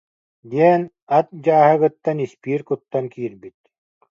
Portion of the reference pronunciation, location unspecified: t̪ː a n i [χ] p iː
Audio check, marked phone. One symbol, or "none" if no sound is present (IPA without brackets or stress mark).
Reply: s